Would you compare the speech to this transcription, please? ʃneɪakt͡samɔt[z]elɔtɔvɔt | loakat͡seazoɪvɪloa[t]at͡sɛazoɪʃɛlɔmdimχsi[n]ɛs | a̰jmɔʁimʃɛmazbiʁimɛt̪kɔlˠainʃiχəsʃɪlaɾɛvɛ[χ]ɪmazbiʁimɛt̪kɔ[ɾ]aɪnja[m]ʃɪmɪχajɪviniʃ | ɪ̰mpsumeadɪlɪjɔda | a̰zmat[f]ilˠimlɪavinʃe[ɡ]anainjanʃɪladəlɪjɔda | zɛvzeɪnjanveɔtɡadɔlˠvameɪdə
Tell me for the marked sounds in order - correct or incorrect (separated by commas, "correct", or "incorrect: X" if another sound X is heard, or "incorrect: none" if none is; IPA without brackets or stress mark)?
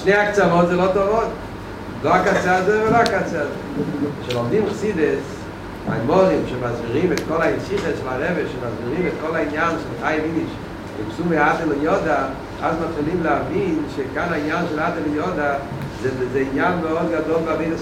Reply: correct, incorrect: k, incorrect: d, incorrect: ʃ, incorrect: l, incorrect: n, incorrect: χ, incorrect: k